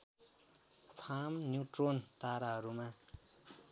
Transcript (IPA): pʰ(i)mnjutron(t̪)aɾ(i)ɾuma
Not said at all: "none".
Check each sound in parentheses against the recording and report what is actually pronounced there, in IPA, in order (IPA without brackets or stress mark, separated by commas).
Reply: a, t̪, a